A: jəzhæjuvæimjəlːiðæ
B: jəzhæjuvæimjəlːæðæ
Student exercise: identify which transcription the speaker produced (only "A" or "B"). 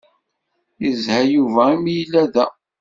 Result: B